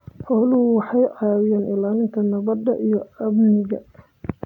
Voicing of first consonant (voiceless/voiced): voiceless